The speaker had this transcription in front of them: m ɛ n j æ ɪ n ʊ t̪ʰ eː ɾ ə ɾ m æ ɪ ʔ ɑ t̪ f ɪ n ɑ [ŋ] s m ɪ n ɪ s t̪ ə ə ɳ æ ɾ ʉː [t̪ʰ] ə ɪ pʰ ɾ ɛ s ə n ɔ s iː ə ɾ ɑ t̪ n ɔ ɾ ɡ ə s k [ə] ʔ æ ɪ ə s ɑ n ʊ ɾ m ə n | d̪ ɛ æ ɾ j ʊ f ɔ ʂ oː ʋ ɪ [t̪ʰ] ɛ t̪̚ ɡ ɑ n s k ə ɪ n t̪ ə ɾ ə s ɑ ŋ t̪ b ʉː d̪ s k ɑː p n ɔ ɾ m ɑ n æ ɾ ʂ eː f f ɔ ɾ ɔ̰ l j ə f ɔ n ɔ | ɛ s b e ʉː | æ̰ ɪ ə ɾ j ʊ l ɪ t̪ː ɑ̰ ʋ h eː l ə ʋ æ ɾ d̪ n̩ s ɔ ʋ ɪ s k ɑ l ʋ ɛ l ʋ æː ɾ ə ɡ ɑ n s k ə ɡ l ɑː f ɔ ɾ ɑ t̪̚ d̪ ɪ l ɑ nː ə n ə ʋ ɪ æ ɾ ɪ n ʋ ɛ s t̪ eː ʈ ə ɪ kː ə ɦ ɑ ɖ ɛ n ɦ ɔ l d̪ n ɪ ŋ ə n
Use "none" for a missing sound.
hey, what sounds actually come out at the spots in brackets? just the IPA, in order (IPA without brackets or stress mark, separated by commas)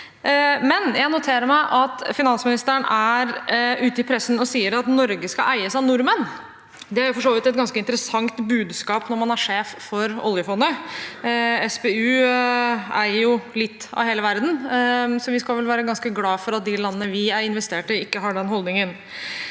n, t̪, ɑ, t̪